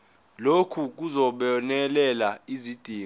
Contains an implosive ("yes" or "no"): yes